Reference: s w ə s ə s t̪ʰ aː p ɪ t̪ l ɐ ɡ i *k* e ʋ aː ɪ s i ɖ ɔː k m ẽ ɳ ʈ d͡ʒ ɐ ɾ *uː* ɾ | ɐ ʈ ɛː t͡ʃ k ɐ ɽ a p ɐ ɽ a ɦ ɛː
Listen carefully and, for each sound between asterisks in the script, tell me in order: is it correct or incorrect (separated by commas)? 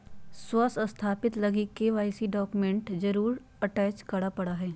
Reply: correct, correct